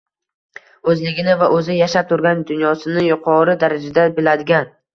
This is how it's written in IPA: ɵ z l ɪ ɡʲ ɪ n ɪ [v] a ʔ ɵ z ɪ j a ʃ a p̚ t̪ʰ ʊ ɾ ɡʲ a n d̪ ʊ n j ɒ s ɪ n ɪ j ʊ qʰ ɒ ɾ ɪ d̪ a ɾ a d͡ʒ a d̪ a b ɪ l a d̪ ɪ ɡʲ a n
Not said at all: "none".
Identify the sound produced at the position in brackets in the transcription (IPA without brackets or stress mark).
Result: v